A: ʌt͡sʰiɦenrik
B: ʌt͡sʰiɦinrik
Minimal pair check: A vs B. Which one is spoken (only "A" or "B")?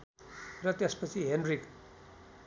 A